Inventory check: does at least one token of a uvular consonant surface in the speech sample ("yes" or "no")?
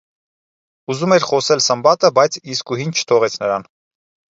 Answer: yes